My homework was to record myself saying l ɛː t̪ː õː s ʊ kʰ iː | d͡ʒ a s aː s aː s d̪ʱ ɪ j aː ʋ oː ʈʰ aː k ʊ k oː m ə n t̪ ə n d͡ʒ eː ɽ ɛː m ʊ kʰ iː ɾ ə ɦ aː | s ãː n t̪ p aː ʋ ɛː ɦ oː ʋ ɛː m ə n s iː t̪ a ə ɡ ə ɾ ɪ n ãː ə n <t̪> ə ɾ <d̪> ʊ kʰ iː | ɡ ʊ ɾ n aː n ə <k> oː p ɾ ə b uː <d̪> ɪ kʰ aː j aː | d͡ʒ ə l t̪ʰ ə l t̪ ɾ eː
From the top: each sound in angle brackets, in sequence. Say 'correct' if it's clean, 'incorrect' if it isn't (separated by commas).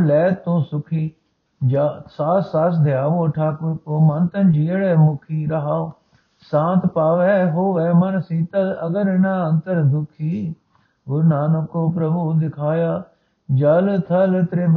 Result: correct, correct, correct, correct